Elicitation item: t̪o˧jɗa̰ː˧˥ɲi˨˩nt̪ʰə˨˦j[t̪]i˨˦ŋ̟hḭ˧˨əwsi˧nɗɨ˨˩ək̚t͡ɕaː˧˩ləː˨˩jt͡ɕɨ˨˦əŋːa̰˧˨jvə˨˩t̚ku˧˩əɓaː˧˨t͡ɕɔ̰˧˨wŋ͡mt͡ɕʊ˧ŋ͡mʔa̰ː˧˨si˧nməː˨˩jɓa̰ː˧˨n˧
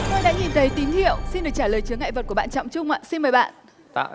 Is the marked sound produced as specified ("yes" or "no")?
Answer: yes